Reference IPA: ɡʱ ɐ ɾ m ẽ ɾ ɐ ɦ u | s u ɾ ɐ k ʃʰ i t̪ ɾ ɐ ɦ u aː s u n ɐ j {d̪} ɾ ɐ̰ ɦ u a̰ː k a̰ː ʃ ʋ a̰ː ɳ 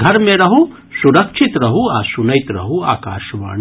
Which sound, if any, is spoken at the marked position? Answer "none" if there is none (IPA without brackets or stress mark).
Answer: t̪